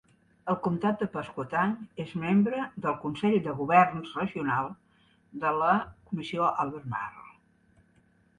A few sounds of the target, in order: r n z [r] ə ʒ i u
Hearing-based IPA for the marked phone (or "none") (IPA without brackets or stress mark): r